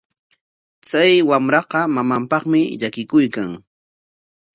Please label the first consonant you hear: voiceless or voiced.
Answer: voiceless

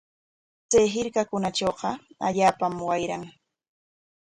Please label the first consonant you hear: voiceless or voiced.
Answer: voiceless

